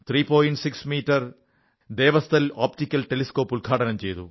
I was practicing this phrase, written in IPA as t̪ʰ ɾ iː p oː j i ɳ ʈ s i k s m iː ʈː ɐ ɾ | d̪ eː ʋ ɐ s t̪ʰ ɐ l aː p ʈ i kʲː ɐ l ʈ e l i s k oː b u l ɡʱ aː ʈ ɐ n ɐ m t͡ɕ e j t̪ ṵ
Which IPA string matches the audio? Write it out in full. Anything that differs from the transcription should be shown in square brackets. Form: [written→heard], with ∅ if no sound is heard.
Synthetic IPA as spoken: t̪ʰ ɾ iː p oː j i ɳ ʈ s i k s m iː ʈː ɐ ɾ | d̪ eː ʋ ɐ s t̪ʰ ɐ l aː p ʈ i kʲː ɐ l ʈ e l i s k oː [b→p] u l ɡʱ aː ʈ ɐ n ɐ m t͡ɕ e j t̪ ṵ

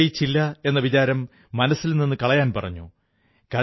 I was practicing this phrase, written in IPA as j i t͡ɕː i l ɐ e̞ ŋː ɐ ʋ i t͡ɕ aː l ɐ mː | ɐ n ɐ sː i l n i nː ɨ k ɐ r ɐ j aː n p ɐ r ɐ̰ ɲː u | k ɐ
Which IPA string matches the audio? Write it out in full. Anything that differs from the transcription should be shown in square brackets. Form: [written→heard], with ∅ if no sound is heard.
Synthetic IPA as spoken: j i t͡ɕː i [l→lː] ɐ e̞ [ŋː→nː] ɐ ʋ i t͡ɕ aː [l→ɾ] ɐ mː | ɐ n ɐ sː i l n i nː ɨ k ɐ [r→ɭ] ɐ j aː n p ɐ r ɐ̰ ɲː u | k ɐ

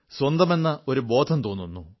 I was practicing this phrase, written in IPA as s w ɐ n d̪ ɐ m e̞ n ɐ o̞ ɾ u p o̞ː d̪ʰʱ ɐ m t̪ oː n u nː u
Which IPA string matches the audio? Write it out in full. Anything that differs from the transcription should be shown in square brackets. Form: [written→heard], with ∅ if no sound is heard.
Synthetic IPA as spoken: s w ɐ n d̪ ɐ m e̞ [n→nː] ɐ o̞ ɾ u [p→b] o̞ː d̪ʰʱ ɐ m t̪ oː [n→nː] u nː u

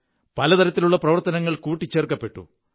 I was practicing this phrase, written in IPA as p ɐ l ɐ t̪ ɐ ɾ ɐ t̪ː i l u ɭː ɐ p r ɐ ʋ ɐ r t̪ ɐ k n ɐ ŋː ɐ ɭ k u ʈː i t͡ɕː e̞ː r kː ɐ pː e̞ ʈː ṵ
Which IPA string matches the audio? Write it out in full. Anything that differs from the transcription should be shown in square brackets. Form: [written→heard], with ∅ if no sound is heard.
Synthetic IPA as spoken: p ɐ l ɐ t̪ ɐ ɾ ɐ t̪ː i l u ɭː ɐ p r ɐ ʋ ɐ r t̪ ɐ [k→∅] n ɐ ŋː ɐ ɭ k [u→uː] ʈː i t͡ɕː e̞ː r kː ɐ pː e̞ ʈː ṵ

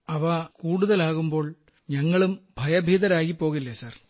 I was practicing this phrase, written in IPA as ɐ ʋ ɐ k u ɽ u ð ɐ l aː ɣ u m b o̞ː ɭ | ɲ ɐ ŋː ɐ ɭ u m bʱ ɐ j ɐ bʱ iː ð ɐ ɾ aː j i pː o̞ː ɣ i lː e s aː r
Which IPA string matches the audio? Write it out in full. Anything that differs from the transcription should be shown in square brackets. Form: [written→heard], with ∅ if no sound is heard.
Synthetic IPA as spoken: ɐ ʋ ɐ k [u→uː] ɽ u ð ɐ l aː ɣ u m b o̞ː ɭ | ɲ ɐ ŋː ɐ ɭ u m bʱ ɐ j ɐ bʱ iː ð ɐ ɾ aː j i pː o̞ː ɣ i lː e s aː r

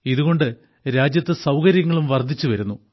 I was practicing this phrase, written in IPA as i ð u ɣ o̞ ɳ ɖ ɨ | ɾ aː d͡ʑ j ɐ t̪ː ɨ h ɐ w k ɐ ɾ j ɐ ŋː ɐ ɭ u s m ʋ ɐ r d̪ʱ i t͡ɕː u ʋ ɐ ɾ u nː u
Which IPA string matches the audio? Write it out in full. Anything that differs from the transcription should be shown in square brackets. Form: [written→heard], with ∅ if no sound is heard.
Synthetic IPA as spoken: i ð u ɣ o̞ ɳ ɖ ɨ | ɾ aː d͡ʑ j ɐ t̪ː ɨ [h→s] ɐ w k ɐ ɾ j ɐ ŋː ɐ ɭ u [s→∅] m ʋ ɐ r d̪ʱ i t͡ɕː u ʋ ɐ ɾ u nː u

